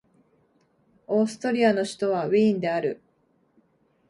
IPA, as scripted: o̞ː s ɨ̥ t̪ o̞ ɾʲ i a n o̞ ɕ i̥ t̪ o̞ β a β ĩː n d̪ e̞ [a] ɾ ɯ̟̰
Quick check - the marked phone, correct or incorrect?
correct